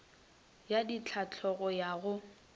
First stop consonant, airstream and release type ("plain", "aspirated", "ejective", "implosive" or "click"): plain